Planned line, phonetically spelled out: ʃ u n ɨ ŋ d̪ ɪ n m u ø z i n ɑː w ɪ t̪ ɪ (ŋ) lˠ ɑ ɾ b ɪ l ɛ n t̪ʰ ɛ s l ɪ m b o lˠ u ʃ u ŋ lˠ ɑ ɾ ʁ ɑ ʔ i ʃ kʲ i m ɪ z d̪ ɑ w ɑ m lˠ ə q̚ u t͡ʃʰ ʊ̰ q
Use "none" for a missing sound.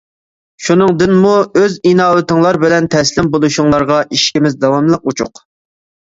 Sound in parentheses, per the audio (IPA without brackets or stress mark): ŋ